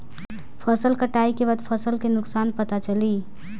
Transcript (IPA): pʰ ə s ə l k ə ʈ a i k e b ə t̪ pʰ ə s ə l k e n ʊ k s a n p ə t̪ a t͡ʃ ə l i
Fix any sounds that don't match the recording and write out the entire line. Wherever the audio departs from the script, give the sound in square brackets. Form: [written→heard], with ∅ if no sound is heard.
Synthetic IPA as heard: pʰ ə s ə l k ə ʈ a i k e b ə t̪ pʰ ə s ə l k e n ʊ k s a n p ə t̪ a t͡ʃ ə l i